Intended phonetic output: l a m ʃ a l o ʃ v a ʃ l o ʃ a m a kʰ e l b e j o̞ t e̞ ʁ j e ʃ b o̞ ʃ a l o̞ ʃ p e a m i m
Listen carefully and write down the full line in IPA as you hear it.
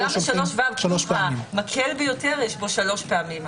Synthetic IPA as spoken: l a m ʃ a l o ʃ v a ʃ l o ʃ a m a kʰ e l b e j o̞ t e̞ ʁ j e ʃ b o̞ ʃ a l o̞ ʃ p e a m i m